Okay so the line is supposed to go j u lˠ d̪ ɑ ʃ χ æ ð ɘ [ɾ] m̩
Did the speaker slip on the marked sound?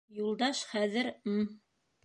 no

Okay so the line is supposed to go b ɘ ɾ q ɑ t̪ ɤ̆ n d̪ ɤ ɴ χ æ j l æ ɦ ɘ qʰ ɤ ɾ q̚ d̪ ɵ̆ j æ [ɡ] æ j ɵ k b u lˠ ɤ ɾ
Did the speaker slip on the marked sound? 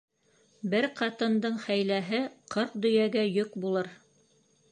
no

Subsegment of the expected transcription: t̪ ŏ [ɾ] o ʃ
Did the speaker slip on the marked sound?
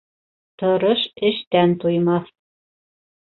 no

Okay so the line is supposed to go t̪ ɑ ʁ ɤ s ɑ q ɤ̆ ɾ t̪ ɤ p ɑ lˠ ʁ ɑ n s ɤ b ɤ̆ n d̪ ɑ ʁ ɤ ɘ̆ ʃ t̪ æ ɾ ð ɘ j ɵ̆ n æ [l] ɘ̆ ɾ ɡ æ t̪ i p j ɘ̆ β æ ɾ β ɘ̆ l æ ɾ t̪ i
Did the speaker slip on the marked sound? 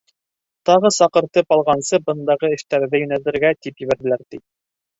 no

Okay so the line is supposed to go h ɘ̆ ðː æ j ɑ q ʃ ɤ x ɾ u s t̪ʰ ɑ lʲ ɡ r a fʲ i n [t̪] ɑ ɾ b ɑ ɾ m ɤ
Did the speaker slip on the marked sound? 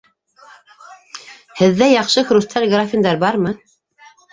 yes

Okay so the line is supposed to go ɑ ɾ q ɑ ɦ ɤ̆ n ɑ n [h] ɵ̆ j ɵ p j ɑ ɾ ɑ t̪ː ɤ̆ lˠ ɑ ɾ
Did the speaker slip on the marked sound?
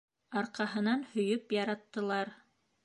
no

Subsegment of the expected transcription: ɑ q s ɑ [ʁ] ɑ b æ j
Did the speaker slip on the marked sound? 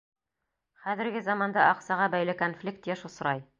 no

